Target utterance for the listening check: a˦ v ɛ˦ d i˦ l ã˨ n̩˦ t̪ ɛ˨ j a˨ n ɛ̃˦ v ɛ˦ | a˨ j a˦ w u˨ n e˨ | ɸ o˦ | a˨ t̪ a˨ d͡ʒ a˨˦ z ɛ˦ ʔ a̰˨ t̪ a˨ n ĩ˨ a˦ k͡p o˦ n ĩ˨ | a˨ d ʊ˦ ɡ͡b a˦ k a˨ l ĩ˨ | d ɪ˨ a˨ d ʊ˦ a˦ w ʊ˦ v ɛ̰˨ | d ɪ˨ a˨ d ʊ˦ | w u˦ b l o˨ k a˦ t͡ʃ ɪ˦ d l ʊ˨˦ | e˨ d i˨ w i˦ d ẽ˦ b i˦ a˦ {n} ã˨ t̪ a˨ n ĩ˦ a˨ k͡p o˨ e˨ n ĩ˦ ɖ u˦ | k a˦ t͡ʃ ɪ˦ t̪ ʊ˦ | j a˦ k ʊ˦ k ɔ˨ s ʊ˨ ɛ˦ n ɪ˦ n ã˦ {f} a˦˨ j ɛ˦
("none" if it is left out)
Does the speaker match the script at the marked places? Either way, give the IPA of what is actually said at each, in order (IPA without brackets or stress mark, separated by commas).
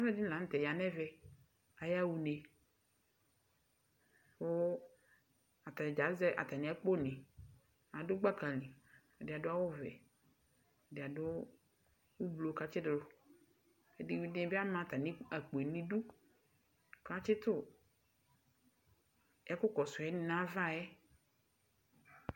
m, v